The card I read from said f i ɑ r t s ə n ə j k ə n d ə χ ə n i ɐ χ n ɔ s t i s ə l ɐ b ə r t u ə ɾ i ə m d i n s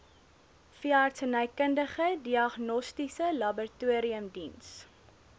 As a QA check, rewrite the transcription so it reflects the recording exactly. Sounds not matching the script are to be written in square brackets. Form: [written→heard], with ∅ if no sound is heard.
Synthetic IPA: f i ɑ r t s ə n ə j k ə n d ə χ ə [n→d] i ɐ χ n ɔ s t i s ə l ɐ b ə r t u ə ɾ i ə m d i n s